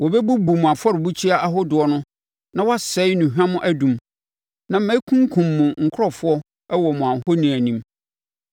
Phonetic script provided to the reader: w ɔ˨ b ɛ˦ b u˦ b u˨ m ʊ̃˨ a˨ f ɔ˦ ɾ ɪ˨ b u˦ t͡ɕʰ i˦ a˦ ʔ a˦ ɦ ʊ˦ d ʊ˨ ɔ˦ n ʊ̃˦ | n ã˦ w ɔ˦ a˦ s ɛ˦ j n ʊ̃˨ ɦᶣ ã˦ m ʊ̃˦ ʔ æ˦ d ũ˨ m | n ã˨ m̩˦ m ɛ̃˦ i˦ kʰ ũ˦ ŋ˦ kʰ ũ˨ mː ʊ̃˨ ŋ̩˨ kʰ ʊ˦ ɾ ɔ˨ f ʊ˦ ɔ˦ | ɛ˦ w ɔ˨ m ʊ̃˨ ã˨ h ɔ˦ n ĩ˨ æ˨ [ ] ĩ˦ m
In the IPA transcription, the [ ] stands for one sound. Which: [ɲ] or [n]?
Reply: n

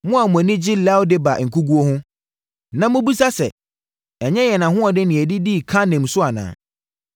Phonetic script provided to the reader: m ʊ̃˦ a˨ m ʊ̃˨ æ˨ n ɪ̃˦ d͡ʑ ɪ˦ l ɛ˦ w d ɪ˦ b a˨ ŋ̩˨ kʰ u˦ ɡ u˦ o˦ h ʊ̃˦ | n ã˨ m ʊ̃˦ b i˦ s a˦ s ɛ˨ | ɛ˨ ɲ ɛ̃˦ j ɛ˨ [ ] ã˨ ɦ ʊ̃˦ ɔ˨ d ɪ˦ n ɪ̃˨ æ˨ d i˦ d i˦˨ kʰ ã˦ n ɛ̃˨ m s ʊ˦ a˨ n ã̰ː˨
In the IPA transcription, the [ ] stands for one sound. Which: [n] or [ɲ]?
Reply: n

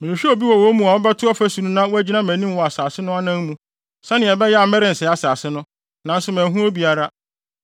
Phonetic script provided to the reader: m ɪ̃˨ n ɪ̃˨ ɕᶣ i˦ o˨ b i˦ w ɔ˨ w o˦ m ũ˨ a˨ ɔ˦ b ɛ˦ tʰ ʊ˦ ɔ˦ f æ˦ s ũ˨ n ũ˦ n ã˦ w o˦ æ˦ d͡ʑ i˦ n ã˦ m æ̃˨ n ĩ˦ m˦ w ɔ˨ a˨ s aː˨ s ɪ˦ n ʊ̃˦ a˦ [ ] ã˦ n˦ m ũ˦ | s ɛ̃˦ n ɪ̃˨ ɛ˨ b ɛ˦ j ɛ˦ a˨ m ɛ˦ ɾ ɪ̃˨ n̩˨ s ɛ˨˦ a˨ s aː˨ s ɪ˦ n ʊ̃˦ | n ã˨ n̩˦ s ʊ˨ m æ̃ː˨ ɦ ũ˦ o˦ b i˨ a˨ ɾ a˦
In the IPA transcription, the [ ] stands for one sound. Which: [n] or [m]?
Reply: n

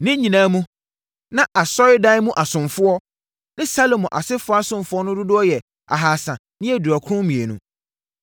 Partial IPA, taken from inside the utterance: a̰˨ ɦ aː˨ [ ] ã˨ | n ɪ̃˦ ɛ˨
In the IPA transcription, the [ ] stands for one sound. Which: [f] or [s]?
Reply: s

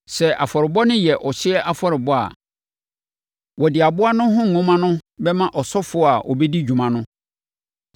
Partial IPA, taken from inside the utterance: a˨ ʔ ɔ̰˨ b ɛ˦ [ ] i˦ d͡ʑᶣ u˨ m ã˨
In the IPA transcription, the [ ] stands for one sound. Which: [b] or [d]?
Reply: d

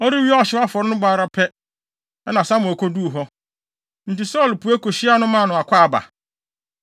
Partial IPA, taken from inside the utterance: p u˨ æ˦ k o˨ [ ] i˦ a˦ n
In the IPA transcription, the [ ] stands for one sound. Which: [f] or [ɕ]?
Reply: ɕ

